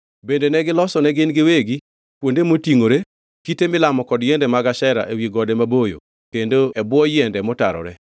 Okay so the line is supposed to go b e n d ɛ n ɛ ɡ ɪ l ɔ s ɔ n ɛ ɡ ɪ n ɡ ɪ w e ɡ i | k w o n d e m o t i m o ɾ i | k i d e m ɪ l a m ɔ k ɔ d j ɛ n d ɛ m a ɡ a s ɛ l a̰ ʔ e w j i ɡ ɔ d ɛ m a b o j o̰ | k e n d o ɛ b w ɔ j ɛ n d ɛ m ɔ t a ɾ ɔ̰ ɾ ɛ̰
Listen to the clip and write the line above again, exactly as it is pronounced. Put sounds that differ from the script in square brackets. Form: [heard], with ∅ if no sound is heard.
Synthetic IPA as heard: b e n d [e] n ɛ ɡ ɪ l ɔ s ɔ n ɛ ɡ ɪ n ɡ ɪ w e ɡ i | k w o n d e m o t i [ŋ] o ɾ [e] | k i [t] e m ɪ l a m ɔ k ɔ d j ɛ n d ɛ m a ɡ a [ʃ] ɛ [ɾ] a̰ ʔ e w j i ɡ ɔ d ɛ m a b o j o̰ | k e n d o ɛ b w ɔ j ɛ n d ɛ m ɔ t a ɾ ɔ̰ ɾ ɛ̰